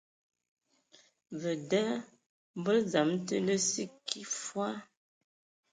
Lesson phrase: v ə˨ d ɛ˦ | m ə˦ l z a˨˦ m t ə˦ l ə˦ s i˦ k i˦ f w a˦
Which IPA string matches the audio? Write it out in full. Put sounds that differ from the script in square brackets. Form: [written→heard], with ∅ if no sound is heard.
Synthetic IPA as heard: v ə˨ d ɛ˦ | [m→b] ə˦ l z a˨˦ m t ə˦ l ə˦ s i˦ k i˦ f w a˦